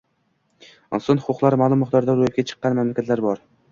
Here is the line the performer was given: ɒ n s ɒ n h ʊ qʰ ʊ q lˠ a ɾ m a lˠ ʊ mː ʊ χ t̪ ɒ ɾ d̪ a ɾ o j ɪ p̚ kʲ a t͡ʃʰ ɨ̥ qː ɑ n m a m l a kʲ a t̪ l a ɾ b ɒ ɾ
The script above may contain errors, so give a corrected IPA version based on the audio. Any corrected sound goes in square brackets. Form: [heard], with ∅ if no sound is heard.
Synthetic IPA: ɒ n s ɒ n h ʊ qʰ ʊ q lˠ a ɾ m a lˠ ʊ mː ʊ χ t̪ ɒ ɾ d̪ a ɾ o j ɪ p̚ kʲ a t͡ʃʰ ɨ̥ qː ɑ n m a m l a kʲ a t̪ l a ɾ b ɒ ɾ